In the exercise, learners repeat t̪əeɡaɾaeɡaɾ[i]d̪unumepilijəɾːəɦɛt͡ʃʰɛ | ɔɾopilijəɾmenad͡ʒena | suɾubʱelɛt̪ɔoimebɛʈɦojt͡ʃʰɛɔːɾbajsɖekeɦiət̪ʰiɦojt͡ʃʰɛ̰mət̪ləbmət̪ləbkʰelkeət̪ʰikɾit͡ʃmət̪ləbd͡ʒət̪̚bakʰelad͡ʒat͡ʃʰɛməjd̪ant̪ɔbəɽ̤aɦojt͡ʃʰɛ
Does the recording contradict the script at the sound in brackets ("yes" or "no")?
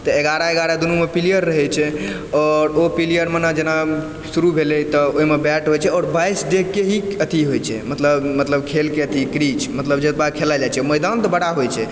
yes